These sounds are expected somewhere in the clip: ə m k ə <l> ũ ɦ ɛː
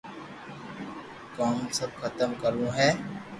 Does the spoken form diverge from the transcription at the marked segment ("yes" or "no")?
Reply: yes